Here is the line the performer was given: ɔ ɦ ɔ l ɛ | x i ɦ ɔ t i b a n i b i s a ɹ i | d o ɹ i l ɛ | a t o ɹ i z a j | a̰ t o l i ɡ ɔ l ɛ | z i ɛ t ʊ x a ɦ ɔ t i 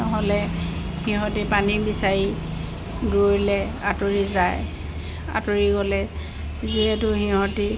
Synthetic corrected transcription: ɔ ɦ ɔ l ɛ | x i ɦ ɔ t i p a n i b i s a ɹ i | d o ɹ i l ɛ | a t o ɹ i z a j | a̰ t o ɹ i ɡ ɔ l ɛ | z i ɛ t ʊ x i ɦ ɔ t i